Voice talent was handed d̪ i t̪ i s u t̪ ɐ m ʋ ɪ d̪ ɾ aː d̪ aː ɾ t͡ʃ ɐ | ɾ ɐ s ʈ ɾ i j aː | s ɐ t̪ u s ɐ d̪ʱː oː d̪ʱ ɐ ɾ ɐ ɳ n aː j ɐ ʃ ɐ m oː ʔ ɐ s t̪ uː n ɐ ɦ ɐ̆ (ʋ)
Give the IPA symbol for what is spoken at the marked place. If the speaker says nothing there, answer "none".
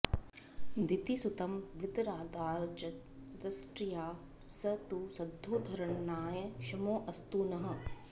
none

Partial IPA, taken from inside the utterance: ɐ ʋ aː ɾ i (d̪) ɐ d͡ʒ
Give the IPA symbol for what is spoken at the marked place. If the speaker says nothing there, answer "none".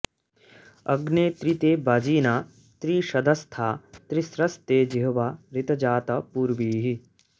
t̪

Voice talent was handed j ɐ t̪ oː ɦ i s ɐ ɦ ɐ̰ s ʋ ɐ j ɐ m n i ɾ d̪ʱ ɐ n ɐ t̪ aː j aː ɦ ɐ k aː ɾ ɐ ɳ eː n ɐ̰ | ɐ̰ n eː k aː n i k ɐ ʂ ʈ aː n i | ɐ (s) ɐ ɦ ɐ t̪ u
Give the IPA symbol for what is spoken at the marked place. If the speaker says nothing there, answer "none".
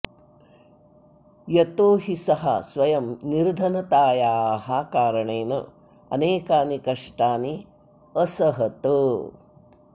s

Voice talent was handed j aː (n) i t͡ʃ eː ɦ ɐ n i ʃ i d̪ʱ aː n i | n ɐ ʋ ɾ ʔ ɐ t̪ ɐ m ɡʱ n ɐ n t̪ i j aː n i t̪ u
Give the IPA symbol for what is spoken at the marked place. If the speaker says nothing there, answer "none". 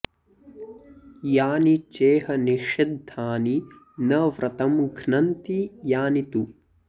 n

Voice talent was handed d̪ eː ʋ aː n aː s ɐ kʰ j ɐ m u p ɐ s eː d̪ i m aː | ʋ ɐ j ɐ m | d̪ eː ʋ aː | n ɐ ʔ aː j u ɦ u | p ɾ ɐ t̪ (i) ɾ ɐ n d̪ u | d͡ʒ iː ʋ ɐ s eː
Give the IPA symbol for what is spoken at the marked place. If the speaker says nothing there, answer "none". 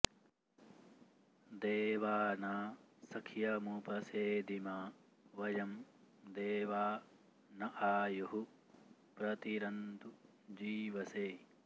i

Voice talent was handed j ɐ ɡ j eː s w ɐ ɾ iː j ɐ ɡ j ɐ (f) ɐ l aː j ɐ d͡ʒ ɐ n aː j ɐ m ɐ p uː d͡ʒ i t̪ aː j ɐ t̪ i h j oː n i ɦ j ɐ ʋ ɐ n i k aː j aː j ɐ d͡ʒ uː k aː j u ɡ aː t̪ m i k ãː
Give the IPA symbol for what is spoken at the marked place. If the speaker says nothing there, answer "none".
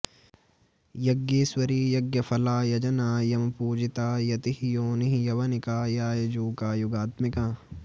f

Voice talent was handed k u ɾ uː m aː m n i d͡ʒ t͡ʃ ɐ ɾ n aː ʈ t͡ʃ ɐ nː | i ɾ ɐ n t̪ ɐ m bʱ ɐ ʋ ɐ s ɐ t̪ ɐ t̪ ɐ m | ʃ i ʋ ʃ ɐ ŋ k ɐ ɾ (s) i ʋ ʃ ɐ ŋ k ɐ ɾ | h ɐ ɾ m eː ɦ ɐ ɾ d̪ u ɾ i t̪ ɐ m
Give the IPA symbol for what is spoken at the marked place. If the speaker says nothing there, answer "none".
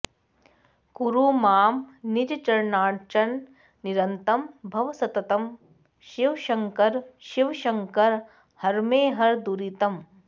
ʃ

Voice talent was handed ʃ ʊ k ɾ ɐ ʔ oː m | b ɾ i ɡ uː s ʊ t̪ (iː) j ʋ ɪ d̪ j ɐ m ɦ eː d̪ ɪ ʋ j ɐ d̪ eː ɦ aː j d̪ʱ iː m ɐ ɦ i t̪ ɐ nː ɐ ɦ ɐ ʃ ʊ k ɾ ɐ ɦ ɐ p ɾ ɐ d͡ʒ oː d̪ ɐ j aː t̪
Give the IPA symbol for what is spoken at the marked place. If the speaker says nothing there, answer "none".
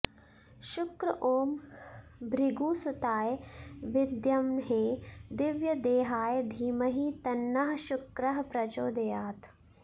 aː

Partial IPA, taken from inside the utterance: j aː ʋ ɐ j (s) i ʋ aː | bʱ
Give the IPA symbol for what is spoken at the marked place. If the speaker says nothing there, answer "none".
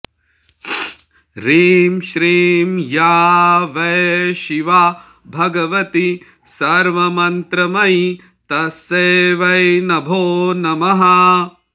ʃ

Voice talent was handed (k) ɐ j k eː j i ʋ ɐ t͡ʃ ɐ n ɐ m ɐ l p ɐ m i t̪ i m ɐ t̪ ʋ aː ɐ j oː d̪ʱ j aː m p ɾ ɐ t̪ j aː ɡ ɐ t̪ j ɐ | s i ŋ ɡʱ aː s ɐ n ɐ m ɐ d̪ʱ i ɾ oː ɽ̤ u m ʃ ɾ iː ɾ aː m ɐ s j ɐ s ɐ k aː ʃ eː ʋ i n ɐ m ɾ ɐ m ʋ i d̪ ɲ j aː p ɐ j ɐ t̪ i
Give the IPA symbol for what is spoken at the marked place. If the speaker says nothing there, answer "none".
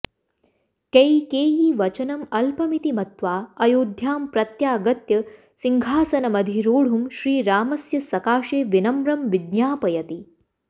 k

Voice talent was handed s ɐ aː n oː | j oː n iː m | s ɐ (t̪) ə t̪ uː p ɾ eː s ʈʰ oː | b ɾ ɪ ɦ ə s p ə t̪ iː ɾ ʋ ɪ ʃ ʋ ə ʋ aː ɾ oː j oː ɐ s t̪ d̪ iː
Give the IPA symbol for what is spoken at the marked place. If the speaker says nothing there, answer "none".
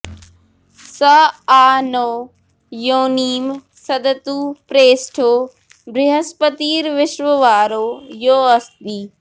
d̪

